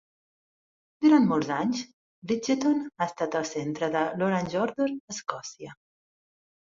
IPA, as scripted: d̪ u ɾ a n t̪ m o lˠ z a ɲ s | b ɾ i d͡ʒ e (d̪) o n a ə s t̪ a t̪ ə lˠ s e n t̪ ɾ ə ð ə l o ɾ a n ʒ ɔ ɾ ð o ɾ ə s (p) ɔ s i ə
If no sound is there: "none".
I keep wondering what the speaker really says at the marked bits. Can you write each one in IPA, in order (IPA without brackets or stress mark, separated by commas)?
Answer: t̪, k